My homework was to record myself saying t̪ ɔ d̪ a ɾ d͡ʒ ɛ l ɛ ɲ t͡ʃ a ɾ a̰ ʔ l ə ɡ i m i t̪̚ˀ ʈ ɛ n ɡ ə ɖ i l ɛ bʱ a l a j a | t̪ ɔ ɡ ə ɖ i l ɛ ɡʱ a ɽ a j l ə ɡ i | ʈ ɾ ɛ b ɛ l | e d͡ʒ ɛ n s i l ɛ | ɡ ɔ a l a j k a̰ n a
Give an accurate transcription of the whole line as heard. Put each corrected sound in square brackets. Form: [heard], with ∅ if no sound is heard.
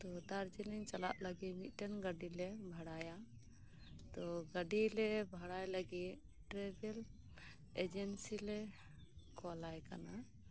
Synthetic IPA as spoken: t̪ ɔ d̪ a ɾ d͡ʒ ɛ l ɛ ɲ t͡ʃ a [l] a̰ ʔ l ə ɡ i m i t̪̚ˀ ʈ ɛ n ɡ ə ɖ i l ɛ bʱ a [ɽ] a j a | t̪ ɔ ɡ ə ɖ i l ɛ [bʱ] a ɽ a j l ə ɡ i | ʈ ɾ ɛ b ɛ l | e d͡ʒ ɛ n s i l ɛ | [k] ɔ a l a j k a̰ n a

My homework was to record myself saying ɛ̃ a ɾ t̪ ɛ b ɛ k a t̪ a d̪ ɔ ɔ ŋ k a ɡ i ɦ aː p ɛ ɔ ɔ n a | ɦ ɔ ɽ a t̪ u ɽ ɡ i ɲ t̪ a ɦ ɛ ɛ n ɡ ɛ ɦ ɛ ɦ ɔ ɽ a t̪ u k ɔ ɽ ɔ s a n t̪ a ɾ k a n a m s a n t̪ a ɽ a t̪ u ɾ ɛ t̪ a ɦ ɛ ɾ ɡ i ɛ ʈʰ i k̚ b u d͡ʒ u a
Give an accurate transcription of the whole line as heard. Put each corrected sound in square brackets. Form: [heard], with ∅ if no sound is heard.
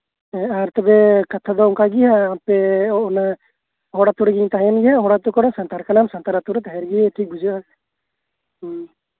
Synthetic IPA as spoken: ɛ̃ a ɾ t̪ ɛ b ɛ k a [t̪ʰ] a d̪ ɔ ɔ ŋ k a ɡ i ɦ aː p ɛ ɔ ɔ n a | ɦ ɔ ɽ a t̪ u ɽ ɡ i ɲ t̪ a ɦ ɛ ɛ n ɡ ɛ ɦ [a] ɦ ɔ ɽ a t̪ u k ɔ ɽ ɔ s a n t̪ a ɾ k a n a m s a n t̪ a [ɾ] a t̪ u ɾ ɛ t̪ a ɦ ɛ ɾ ɡ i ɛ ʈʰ i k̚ b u d͡ʒ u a

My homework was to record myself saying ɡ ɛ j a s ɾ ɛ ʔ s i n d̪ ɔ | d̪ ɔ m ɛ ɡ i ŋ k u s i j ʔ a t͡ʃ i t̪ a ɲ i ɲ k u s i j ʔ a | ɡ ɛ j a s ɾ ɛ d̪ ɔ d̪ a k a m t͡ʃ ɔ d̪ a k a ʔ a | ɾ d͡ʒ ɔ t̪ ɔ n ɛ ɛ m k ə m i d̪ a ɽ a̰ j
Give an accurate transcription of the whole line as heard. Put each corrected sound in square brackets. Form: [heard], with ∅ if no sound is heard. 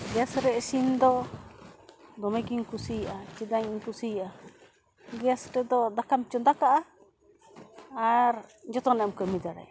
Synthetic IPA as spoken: ɡ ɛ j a s ɾ ɛ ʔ s i n d̪ ɔ | d̪ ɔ m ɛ ɡ i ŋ k u s i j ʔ a t͡ʃ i [d̪] a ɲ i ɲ k u s i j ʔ a | ɡ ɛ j a s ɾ ɛ d̪ ɔ d̪ a k a m t͡ʃ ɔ d̪ a k a ʔ a | ɾ d͡ʒ ɔ t̪ ɔ n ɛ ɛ m k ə m i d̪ a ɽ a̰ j

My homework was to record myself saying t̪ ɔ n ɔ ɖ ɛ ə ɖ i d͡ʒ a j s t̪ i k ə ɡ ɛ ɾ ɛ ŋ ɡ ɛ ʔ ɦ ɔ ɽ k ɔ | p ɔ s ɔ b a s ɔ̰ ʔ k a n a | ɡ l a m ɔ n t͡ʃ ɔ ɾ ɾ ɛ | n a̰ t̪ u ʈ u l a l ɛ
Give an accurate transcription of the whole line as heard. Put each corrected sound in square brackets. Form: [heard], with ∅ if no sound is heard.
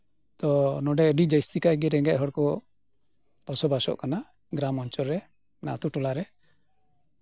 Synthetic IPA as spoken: t̪ ɔ n ɔ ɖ ɛ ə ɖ i d͡ʒ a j s t̪ i k [a] ɡ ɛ ɾ ɛ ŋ ɡ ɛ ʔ ɦ ɔ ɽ k ɔ | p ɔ s ɔ b a s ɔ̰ ʔ k a n a | ɡ [ɾ] a m ɔ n t͡ʃ ɔ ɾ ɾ ɛ | n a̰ t̪ u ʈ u l a [ɾ] ɛ

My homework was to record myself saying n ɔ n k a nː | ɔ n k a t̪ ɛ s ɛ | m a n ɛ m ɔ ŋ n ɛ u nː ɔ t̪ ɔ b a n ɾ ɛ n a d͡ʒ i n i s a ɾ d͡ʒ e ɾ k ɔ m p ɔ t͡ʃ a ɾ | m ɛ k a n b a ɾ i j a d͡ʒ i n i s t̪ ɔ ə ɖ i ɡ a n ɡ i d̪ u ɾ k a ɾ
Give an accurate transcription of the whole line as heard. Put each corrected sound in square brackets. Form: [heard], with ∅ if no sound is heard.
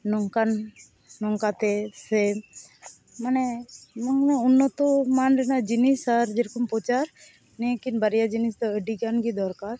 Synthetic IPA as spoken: n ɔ [ŋ] k a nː | ɔ [ŋ] k a t̪ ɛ s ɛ | m a n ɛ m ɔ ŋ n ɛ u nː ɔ t̪ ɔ [m] a n ɾ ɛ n a d͡ʒ i n i s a ɾ d͡ʒ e ɾ k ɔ m p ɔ t͡ʃ a ɾ | [n] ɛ k [i] n b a ɾ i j a d͡ʒ i n i s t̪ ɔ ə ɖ i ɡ a n ɡ i d̪ [ɔ] ɾ k a ɾ

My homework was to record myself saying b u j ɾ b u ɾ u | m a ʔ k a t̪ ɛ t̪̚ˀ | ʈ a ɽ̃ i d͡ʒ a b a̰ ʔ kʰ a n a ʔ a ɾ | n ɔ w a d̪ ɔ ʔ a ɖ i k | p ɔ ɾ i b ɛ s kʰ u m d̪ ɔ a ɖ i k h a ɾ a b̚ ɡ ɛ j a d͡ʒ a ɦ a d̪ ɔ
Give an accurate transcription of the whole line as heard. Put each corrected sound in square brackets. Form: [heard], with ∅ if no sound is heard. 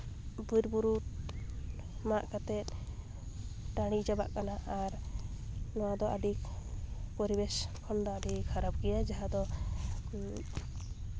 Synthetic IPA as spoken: b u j ɾ b u ɾ u | m a ʔ k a t̪ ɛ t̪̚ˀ | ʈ a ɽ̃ i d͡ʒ a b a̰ ʔ [k] a n a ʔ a ɾ | n ɔ w a d̪ ɔ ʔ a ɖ i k | p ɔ ɾ i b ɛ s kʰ [ɔ] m d̪ ɔ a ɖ i k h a ɾ a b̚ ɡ ɛ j a d͡ʒ a ɦ a d̪ ɔ

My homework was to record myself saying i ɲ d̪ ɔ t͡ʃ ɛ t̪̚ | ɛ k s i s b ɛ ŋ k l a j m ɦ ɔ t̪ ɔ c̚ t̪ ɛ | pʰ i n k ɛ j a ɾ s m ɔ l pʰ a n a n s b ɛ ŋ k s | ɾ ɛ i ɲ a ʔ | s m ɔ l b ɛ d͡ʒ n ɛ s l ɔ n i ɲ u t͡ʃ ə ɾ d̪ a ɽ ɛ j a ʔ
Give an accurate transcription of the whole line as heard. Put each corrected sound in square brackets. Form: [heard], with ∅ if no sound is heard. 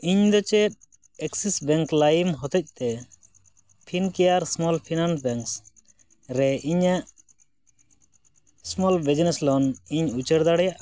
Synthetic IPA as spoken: i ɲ d̪ ɔ t͡ʃ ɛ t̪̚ | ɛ k s i s b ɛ ŋ k l a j m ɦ ɔ t̪ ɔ c̚ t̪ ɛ | pʰ i n k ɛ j a ɾ s m ɔ l pʰ [i] n a n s b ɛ ŋ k s | ɾ ɛ i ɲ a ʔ | s m ɔ l b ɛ d͡ʒ n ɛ s l ɔ n i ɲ u t͡ʃ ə ɾ d̪ a ɽ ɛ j a ʔ

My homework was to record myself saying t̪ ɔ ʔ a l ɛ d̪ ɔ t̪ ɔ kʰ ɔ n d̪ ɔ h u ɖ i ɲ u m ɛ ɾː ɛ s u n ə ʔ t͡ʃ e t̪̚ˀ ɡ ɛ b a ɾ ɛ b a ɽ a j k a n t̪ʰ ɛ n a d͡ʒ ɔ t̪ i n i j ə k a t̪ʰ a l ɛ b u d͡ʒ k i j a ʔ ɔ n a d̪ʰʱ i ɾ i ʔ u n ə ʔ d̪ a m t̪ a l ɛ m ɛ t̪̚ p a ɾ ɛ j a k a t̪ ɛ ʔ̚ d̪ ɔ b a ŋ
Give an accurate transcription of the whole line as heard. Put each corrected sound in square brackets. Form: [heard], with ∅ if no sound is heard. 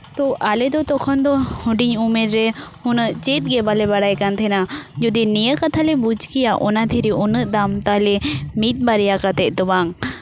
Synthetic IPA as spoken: t̪ ɔ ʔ a l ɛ d̪ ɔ t̪ ɔ kʰ ɔ n d̪ ɔ h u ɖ i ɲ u m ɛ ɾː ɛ [h] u n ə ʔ t͡ʃ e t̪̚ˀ ɡ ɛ b a [l] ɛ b a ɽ a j k a n t̪ʰ ɛ n a d͡ʒ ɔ [d̪] i n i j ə k a t̪ʰ a l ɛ b u d͡ʒ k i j a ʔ ɔ n a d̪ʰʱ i ɾ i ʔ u n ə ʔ d̪ a m t̪ a l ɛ m [i] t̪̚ [b] a ɾ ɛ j a k a t̪ ɛ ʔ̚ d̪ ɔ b a ŋ

